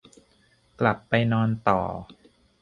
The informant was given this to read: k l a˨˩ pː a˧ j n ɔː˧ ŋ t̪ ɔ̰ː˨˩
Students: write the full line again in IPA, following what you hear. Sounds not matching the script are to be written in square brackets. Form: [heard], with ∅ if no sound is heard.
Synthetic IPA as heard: k l a˨˩ pː a˧ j n ɔː˧ [n] t̪ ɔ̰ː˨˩